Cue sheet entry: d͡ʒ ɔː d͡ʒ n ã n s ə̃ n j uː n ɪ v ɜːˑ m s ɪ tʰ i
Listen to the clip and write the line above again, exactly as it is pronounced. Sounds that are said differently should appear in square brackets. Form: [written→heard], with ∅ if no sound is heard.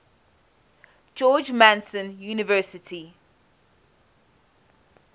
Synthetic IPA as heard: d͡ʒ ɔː d͡ʒ [n→m] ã n s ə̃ n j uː n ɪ v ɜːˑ [m→∅] s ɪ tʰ i